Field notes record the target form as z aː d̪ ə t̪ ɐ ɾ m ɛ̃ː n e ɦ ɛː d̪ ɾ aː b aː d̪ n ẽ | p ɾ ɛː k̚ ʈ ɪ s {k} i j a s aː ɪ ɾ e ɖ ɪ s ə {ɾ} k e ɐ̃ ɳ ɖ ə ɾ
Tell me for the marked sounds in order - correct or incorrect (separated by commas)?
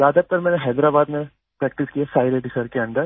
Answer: correct, correct